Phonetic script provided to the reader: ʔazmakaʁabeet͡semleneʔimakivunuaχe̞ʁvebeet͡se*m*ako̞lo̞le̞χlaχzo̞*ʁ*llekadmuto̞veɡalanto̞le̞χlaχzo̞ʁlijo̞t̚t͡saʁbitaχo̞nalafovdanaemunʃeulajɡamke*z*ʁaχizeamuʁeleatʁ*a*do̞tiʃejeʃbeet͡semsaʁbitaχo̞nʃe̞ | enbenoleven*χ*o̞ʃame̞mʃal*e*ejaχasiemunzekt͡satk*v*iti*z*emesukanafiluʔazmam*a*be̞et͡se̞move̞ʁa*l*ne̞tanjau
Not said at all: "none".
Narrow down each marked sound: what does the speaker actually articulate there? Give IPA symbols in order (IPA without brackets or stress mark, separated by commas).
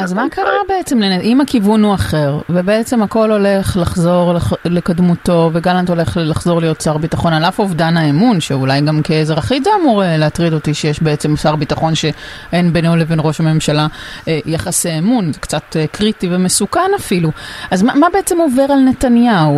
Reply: m, ʁ, z, i, ʁ, a, ʁ, v, a, l